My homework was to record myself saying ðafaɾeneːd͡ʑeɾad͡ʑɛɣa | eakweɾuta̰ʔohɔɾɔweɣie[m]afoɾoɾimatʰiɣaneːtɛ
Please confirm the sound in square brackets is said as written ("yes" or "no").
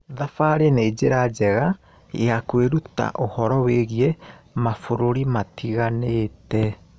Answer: yes